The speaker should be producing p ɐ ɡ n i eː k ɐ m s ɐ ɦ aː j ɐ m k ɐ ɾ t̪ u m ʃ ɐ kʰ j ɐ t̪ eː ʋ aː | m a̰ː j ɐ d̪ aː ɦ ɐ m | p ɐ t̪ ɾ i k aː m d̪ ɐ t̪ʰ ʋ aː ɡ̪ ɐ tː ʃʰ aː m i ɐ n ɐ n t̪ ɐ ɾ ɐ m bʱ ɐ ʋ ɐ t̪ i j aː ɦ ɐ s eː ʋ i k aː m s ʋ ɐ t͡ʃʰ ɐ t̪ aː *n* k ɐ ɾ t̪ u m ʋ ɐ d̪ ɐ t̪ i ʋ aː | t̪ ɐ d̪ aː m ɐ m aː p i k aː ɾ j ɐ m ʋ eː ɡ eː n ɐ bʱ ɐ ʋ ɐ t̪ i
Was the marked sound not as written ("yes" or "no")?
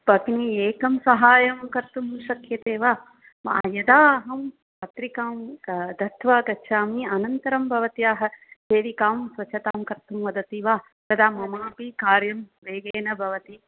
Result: yes